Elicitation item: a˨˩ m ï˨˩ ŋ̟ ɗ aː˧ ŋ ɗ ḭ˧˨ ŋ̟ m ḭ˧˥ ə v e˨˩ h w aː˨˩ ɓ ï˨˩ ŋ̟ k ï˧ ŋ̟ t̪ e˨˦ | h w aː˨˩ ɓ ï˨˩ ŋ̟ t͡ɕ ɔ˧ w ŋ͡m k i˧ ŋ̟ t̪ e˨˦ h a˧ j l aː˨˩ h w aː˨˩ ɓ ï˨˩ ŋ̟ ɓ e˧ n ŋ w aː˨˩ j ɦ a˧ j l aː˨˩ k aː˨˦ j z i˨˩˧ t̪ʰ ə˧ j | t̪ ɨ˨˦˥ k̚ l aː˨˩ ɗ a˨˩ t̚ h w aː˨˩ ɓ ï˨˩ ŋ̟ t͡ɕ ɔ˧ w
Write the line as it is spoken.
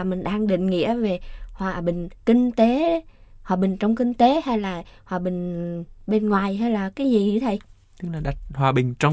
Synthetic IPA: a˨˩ m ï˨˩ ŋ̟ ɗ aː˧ ŋ ɗ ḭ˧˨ ŋ̟ ŋ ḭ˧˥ ə v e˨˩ h w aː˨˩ ɓ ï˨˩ ŋ̟ k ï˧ ŋ̟ t̪ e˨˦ | h w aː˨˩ ɓ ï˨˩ ŋ̟ t͡ɕ ɔ˧ w ŋ͡m k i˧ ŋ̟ t̪ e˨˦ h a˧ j l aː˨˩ h w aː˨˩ ɓ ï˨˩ ŋ̟ ɓ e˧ n ŋ w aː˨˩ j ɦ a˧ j l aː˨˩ k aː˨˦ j z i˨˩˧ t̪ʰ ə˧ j | t̪ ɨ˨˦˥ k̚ l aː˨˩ ɗ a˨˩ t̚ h w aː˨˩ ɓ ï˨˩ ŋ̟ t͡ɕ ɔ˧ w